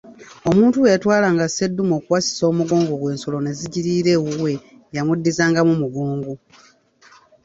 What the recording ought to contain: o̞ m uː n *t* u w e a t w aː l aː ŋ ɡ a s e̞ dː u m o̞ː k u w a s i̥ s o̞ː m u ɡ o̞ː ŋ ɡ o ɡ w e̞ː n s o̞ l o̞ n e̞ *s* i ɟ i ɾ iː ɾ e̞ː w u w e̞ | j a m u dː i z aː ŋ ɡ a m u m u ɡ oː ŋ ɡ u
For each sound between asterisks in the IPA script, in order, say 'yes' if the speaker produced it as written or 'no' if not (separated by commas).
yes, no